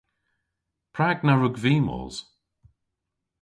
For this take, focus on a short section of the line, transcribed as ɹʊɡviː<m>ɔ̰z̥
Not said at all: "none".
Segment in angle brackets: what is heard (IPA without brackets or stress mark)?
m